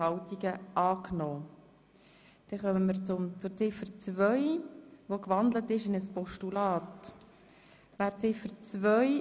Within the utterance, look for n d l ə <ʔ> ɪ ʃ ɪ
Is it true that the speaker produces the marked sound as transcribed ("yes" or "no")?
no